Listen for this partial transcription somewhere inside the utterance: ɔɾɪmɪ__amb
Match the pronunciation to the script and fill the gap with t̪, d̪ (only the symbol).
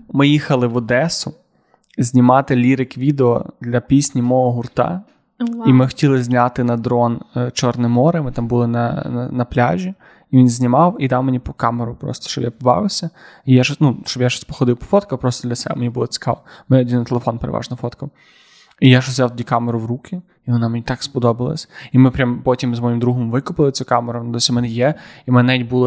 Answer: t̪